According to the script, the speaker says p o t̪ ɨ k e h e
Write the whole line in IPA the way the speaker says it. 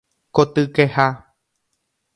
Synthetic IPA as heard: k o t̪ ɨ k e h a